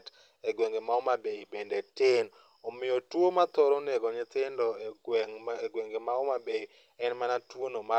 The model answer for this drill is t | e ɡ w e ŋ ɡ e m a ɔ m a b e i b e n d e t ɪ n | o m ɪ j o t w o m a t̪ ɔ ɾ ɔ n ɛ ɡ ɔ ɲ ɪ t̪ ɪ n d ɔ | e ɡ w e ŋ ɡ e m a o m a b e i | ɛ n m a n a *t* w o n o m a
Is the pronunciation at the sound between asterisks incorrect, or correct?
correct